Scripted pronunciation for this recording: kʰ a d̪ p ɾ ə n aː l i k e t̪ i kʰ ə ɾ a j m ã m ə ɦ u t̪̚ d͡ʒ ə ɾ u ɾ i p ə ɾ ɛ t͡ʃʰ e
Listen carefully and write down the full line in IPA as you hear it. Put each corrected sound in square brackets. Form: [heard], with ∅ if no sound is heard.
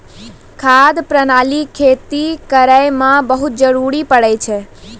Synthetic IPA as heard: kʰ a d̪ p ɾ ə n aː l i [kʰ] e t̪ i [k] ə ɾ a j m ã [b] ə ɦ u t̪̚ d͡ʒ ə ɾ u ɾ i p ə [ɽ] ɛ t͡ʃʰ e

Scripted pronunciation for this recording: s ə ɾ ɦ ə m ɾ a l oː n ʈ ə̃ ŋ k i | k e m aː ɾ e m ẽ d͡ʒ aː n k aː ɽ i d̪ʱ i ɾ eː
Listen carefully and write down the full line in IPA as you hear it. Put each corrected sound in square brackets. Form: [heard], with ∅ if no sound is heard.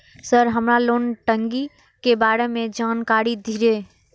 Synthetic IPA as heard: s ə ɾ ɦ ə m ɾ a l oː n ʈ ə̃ ŋ [ɡ] i | k e [b] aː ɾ e m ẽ d͡ʒ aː n k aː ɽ i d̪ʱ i ɾ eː

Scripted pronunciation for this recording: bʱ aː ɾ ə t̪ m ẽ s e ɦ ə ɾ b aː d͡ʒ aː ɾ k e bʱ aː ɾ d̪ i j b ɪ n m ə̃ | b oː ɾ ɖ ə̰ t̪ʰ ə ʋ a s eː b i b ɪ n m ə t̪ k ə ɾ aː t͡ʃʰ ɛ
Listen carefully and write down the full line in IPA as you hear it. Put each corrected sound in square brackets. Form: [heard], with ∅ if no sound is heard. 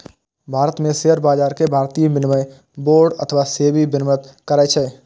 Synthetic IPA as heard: bʱ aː ɾ ə t̪ m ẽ s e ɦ ə ɾ b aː d͡ʒ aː ɾ k e bʱ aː ɾ [t̪] i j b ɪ n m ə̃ | b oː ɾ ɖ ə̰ t̪ʰ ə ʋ a s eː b i b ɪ n m ə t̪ k ə ɾ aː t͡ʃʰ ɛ

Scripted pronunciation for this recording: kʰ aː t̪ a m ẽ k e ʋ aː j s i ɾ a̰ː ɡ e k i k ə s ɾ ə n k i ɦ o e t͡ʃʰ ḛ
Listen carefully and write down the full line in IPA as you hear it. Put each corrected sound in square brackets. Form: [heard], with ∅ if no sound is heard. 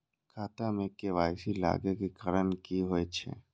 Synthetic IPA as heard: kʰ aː t̪ a m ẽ k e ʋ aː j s i [l] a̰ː ɡ e k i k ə [∅] ɾ ə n k i ɦ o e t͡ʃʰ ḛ

